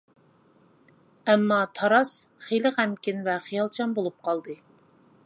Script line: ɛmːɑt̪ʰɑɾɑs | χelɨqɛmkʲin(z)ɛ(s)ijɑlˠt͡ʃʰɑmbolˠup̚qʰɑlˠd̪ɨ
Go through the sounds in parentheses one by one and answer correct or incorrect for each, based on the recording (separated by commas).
incorrect, incorrect